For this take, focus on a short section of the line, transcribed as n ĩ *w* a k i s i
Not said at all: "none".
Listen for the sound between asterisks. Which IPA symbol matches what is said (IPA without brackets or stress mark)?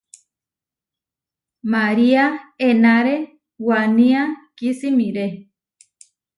none